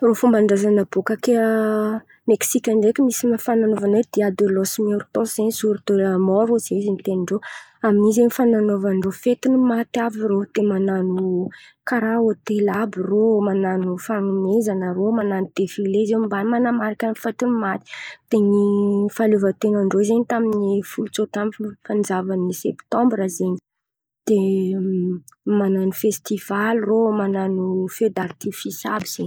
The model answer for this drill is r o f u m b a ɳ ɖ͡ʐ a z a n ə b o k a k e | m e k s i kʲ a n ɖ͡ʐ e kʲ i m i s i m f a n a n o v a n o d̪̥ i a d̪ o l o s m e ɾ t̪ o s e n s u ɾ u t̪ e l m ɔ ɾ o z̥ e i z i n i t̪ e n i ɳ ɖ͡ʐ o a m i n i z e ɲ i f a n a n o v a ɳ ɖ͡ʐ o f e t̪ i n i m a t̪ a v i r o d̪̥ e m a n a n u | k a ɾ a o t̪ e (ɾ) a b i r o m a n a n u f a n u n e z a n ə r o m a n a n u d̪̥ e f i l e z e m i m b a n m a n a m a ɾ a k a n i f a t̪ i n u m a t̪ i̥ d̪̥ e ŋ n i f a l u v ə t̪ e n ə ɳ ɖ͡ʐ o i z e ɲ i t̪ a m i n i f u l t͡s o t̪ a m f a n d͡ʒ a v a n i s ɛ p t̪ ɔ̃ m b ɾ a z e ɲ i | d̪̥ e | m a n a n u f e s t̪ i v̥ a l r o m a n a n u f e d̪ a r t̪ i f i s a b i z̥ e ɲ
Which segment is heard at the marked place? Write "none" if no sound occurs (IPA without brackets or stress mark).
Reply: l